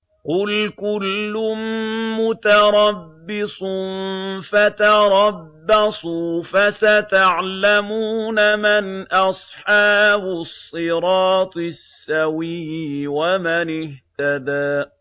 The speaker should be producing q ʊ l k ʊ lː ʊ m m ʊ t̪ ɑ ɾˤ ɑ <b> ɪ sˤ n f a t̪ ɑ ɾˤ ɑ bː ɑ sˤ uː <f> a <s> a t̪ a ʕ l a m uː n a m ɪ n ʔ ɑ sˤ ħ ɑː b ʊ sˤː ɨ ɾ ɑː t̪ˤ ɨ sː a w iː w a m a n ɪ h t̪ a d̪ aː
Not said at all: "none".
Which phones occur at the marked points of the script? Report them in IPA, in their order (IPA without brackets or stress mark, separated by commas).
bː, f, s